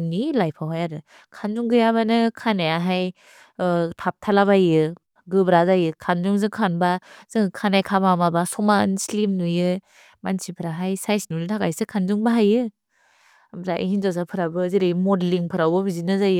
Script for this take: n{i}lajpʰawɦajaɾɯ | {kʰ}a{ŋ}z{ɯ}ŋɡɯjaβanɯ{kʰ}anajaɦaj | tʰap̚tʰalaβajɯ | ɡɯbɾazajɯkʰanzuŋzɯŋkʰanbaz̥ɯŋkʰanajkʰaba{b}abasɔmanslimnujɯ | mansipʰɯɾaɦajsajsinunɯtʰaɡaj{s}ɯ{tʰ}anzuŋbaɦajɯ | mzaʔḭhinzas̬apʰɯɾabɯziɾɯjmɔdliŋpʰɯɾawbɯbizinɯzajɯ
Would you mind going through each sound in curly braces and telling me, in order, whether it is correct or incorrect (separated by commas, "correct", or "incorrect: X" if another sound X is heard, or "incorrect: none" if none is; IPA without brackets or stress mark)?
correct, correct, incorrect: n, incorrect: u, correct, incorrect: m, correct, incorrect: kʰ